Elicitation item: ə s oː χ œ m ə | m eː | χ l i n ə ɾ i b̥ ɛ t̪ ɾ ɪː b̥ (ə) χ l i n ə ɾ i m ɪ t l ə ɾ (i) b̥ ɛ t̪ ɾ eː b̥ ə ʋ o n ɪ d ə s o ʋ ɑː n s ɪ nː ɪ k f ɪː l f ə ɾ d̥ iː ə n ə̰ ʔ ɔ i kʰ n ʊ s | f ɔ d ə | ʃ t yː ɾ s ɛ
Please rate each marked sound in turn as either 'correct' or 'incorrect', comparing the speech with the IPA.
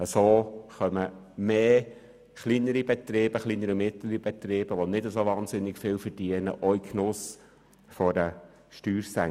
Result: correct, correct

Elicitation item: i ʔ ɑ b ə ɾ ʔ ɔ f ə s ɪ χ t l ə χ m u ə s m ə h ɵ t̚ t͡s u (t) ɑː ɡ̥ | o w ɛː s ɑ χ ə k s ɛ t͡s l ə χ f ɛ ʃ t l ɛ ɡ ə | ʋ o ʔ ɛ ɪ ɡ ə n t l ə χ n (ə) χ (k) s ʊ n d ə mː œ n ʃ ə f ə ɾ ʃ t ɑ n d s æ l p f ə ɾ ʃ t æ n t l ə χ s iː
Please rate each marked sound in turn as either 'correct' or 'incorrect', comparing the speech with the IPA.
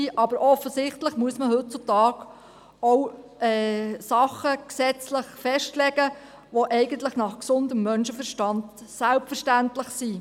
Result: correct, incorrect: ɑ, correct

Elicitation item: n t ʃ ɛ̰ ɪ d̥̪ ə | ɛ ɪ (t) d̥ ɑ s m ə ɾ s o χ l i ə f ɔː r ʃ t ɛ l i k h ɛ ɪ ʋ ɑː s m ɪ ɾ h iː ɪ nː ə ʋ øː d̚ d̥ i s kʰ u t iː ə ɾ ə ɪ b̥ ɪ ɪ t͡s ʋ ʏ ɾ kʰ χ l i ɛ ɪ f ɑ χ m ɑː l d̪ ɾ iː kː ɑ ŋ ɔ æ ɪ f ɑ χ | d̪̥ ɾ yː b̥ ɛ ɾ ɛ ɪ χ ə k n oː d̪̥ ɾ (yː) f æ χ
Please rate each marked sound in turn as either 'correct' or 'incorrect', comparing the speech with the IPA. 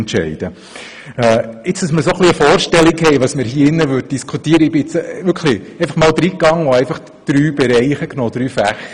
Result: incorrect: t͡s, correct

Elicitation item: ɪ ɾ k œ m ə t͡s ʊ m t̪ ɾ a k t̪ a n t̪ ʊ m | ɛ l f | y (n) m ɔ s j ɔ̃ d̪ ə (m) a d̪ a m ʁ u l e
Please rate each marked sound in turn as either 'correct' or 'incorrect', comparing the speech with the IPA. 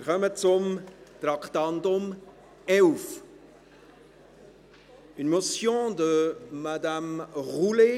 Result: correct, correct

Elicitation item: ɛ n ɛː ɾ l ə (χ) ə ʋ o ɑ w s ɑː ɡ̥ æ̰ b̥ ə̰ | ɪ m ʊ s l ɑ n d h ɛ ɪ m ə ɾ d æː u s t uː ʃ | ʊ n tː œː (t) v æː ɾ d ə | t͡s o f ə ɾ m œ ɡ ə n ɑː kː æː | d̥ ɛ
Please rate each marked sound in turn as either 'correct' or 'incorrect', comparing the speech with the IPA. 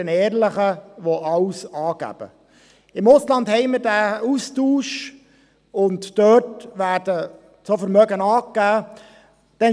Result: correct, correct

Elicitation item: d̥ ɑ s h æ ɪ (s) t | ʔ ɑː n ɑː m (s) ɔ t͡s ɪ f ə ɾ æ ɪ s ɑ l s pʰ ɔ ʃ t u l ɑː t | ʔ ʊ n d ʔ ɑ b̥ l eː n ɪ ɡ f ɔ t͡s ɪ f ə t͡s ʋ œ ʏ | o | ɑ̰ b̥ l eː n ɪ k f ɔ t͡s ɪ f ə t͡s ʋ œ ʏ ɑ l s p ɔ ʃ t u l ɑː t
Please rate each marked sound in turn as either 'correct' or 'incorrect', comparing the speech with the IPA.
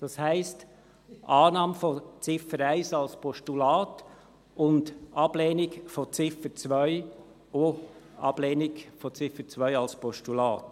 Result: correct, incorrect: f

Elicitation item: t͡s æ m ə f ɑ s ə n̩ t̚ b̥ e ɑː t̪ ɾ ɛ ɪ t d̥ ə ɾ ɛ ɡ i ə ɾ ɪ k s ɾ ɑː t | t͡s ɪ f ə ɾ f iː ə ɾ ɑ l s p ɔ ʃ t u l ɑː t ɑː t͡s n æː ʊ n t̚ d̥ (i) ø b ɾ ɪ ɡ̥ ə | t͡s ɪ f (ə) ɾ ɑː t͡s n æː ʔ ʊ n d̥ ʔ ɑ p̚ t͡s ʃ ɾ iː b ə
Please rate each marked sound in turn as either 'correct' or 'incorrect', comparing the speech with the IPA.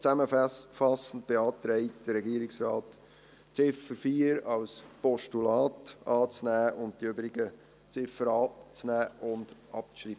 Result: correct, correct

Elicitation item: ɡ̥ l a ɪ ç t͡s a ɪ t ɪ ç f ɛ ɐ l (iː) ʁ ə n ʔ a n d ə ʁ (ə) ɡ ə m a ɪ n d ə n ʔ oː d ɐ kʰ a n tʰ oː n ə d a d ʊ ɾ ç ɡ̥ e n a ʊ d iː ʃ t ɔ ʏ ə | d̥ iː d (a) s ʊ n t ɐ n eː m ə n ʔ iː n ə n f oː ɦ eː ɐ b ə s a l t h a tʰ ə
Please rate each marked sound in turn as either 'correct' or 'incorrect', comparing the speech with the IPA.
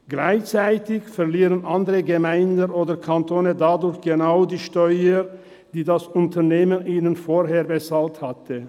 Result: correct, correct, correct

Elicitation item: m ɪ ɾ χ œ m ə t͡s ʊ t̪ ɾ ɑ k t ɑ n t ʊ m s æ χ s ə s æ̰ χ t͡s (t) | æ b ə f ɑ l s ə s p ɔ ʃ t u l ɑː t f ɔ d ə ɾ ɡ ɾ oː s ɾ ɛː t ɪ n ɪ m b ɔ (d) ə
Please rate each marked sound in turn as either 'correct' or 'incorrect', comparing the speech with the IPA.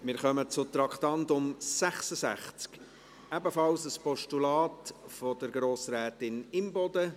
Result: incorrect: k, correct

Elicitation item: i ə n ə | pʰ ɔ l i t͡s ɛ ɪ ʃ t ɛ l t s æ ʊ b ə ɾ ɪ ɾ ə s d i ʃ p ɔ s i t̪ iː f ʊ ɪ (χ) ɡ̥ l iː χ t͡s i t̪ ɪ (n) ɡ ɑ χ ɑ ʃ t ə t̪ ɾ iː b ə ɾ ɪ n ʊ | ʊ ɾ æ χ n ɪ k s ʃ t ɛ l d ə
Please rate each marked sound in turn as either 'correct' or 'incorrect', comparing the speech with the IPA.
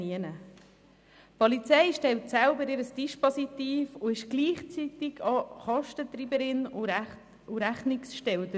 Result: incorrect: ʃ, incorrect: none

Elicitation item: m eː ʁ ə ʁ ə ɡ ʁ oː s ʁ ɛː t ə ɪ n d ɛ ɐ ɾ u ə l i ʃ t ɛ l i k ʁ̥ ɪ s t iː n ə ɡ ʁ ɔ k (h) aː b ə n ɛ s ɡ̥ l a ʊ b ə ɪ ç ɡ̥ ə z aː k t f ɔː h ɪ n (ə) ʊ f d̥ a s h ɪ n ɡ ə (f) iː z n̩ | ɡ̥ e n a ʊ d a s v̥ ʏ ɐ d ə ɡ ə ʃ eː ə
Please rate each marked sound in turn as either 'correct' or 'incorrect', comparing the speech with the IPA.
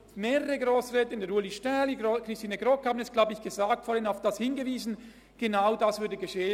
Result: correct, incorrect: a, incorrect: v

